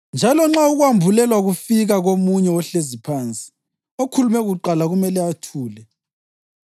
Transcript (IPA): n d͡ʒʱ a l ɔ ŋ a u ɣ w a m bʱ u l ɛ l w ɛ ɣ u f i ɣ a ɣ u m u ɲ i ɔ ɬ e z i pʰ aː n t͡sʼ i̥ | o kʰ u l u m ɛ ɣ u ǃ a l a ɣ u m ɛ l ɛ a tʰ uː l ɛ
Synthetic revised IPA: n d͡ʒʱ a l ɔ ŋ͡ǁ a u ɣ w a m bʱ u l ɛ l w a ɣ u f i ɣ a ɣ o m u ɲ ɛ ɔ ɬ e z i pʰ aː n t͡sʼ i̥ | o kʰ u l u m ɛ ɣ u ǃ a l a ɣ u m ɛ l ɛ a tʰ uː l ɛ